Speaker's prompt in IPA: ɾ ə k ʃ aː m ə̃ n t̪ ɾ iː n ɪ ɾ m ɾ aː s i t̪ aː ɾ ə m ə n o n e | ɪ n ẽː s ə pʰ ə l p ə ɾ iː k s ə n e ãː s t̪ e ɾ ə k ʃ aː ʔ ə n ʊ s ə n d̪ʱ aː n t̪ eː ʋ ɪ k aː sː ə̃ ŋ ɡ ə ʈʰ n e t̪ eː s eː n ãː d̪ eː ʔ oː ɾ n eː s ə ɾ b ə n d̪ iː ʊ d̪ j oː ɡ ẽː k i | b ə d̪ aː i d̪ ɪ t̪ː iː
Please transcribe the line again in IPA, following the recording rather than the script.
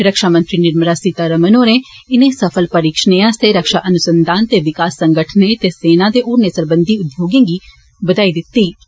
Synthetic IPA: ɾ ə k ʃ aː m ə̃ n t̪ ɾ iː n ɪ ɾ m ɾ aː s i t̪ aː ɾ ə m ə n o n e | ɪ n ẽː s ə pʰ ə l p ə ɾ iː k ʃ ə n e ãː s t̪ e ɾ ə k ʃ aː ʔ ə n ʊ s ə n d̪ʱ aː n t̪ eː ʋ ɪ k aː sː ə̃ ŋ ɡ ə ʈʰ n e t̪ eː s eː n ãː d̪ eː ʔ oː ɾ n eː s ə ɾ b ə n d̪ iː ʊ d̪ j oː ɡ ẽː ɡ i | b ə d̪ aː i d̪ ɪ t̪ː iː